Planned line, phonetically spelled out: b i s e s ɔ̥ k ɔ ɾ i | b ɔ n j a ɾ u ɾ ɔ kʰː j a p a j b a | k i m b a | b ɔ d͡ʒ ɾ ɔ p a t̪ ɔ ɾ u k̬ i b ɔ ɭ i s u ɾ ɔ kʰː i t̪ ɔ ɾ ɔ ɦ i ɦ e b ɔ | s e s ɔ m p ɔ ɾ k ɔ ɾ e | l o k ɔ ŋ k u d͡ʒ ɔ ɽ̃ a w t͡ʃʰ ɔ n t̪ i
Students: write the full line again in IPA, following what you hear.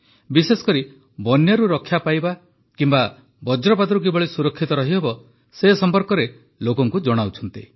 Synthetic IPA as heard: b i s e s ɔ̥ k ɔ ɾ i | b ɔ n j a ɾ u ɾ ɔ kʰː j a p a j b a | k i m b a | b ɔ d͡ʒ ɾ ɔ p a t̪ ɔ ɾ u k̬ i b ɔ ɭ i s u ɾ ɔ kʰː i t̪ ɔ ɾ ɔ ɦ i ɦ e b ɔ | s e s ɔ m p ɔ ɾ k ɔ ɾ e | l o k ɔ ŋ k u d͡ʒ ɔ ɽ̃ a w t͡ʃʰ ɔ n t̪ i